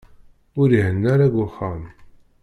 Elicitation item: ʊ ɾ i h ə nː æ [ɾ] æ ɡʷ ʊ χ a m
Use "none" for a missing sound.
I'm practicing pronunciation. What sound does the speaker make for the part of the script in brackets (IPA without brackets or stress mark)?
ɾ